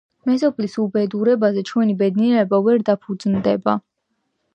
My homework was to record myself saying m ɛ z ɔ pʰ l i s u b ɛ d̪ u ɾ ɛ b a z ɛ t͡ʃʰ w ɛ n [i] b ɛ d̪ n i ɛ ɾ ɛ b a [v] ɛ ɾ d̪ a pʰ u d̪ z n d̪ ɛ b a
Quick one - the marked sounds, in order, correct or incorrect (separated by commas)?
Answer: correct, correct